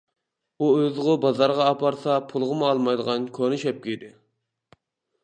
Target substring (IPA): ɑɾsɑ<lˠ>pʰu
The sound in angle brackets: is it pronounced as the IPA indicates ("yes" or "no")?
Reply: no